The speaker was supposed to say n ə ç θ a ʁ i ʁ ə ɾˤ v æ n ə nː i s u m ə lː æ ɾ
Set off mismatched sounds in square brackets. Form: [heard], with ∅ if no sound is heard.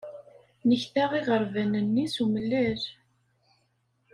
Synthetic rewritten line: n ə ç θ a ʁ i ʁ ə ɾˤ v æ n ə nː i s u m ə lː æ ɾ